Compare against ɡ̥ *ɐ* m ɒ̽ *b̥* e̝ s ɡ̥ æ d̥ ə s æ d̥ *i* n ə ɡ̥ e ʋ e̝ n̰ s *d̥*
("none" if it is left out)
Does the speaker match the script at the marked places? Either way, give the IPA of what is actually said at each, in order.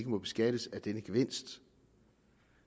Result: ə, b̥, e, d̥

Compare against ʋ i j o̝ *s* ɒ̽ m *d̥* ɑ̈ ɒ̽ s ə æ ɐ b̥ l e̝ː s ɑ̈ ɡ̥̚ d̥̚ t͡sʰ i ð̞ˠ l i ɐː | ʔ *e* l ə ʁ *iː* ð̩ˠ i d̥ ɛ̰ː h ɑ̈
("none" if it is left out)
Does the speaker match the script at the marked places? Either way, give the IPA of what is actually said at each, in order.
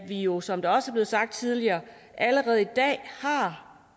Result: s, d̥, æ, ɛː

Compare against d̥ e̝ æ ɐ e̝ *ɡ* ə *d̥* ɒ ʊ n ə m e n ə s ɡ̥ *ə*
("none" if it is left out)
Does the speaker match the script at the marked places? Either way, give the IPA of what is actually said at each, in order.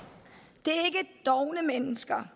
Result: ɡ, d̥, ɐ

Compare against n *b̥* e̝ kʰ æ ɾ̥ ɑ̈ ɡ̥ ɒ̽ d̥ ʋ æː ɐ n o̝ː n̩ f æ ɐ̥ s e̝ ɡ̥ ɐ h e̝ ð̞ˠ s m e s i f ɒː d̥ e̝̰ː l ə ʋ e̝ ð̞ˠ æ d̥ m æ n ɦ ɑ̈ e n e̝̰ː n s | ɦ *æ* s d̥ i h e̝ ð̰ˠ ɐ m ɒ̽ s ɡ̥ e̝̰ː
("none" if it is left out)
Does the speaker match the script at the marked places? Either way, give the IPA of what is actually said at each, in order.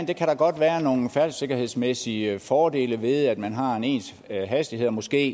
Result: d̥, æ

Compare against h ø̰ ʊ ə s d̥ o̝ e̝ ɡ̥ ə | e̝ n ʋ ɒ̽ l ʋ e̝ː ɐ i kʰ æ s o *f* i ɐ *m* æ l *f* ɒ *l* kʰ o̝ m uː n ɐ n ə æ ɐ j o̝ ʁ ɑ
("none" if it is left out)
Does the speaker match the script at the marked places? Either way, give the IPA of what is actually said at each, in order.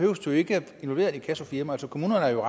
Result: f, m, s, none

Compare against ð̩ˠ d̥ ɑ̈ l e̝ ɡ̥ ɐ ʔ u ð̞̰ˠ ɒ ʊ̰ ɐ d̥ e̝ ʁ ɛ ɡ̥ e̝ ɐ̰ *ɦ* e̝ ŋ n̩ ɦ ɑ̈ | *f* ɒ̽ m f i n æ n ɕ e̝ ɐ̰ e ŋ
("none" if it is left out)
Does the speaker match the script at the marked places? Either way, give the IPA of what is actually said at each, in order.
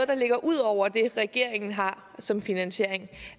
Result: none, s

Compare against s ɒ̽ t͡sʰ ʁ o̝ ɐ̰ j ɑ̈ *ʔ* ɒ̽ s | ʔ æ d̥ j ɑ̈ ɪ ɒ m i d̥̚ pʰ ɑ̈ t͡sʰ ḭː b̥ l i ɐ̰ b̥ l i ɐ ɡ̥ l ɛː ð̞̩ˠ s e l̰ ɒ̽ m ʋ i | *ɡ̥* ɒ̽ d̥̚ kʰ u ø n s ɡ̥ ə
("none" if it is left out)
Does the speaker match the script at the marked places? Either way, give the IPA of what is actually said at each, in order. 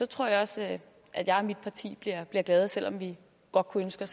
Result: none, ɡ̥

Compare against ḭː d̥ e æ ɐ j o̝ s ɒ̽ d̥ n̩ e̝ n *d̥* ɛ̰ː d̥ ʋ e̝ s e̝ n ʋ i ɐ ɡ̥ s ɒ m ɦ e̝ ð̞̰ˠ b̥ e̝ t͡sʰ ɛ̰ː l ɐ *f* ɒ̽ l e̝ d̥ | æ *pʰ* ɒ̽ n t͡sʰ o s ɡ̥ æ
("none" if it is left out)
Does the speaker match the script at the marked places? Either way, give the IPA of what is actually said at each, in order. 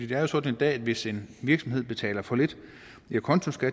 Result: d̥, f, kʰ

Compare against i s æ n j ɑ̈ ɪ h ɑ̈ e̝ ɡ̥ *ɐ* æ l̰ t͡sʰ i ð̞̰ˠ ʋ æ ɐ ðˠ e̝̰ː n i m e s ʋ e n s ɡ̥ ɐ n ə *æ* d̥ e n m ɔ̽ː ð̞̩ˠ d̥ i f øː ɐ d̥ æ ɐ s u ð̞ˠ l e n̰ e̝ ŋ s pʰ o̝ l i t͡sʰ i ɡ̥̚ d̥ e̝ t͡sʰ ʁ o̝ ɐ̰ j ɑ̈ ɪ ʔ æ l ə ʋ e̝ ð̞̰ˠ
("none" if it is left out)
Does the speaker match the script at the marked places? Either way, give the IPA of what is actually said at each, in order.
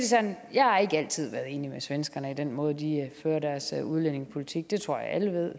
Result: ə, i

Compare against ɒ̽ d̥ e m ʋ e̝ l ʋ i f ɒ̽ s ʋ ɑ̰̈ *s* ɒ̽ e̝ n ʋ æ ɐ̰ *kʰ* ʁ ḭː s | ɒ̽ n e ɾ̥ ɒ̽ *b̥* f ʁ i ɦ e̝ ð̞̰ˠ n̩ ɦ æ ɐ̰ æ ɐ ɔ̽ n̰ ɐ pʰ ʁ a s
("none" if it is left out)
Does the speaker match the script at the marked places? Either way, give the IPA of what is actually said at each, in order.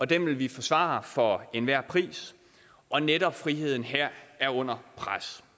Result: f, pʰ, b̥

